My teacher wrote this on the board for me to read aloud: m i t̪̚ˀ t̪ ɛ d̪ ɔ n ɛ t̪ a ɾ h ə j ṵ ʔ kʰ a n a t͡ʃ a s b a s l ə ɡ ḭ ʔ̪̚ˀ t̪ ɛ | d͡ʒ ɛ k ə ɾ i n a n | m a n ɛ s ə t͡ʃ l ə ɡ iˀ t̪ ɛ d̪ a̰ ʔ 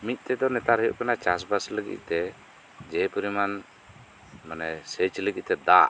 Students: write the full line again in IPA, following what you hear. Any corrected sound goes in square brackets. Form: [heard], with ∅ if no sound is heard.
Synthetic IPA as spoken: m i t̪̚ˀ t̪ ɛ d̪ ɔ n ɛ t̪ a ɾ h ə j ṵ ʔ [k] a n a t͡ʃ a s b a s l ə ɡ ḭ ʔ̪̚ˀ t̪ ɛ | d͡ʒ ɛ [p] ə ɾ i [m] a n | m a n ɛ s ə t͡ʃ l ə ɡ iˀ t̪ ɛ d̪ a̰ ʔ